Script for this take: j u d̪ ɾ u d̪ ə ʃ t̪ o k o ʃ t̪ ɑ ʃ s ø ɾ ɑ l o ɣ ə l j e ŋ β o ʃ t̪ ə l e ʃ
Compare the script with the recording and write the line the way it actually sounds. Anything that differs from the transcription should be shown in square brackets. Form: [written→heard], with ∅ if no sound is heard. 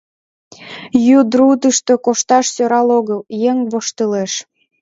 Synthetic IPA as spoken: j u d̪ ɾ u d̪ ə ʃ t̪ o k o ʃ t̪ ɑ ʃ s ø ɾ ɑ l o ɣ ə l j e ŋ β o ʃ t̪ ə l e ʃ